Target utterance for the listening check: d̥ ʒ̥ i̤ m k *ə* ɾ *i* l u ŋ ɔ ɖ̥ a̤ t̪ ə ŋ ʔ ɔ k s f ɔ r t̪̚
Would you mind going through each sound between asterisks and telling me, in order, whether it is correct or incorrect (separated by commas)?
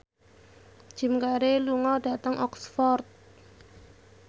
incorrect, incorrect